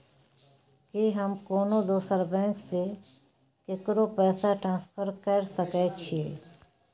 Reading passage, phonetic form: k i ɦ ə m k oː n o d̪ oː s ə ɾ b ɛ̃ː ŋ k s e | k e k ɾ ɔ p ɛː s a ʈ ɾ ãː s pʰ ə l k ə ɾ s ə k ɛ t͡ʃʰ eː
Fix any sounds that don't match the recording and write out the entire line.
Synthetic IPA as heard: k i ɦ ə m k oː n o d̪ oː s ə ɾ b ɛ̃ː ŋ k s e | k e k ɾ o p ɛː s a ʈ ɾ ãː s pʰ ə ɾ k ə ɾ s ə k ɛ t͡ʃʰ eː